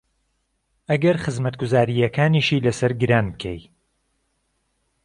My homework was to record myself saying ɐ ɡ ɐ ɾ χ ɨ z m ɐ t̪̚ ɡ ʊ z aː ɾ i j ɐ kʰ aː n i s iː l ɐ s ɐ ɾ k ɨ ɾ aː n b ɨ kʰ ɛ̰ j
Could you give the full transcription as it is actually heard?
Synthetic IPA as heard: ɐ ɡ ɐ ɾ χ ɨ z m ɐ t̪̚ ɡ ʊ z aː ɾ i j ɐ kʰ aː n i ʃ iː l ɐ s ɐ ɾ ɡ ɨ ɾ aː n b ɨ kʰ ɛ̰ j